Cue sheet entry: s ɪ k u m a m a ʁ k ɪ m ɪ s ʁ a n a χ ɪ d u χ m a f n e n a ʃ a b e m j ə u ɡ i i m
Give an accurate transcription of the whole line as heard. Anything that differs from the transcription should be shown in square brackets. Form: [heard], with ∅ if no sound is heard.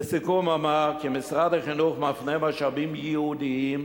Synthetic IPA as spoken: s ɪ k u m a m a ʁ k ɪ m ɪ s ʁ a [d] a χ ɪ [n] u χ m a f n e [m] a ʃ a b [i] m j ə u [d] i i m